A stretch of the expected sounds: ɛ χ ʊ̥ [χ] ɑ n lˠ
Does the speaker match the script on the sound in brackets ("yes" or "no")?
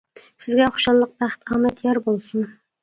no